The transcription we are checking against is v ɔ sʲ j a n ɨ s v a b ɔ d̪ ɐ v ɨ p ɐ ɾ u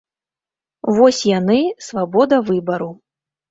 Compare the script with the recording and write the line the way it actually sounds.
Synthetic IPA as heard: v ɔ sʲ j a n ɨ s v a b ɔ d̪ ɐ v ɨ b ɐ ɾ u